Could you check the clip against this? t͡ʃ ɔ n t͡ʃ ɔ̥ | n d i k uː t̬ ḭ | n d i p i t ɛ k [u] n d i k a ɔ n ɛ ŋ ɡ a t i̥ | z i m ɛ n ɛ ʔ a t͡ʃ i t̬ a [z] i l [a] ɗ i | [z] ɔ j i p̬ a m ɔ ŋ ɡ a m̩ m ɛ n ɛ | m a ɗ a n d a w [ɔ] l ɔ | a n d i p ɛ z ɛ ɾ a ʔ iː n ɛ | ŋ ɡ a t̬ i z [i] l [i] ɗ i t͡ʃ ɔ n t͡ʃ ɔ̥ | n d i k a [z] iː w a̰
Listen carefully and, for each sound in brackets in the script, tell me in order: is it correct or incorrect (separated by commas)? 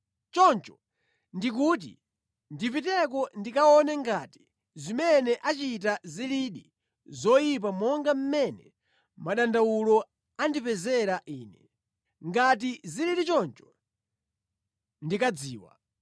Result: incorrect, correct, incorrect, correct, incorrect, correct, correct, incorrect